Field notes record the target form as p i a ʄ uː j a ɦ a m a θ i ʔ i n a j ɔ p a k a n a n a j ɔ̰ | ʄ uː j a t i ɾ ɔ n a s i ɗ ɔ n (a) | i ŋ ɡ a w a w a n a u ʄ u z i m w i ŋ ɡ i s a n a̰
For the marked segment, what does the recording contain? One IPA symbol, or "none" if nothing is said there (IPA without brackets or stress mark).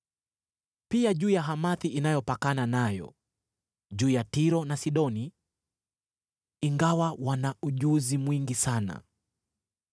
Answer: i